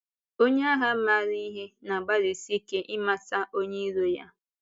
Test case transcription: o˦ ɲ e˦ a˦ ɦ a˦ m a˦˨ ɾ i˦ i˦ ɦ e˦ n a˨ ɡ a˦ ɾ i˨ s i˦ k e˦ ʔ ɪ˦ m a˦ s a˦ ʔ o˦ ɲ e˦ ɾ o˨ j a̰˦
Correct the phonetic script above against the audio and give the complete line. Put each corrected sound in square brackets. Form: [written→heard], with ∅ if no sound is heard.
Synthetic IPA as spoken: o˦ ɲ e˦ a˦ ɦ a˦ m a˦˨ ɾ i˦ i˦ ɦ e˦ n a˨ [ɡ→ɡ͡b] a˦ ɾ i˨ s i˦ k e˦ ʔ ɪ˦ m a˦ s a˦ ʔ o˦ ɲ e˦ ɾ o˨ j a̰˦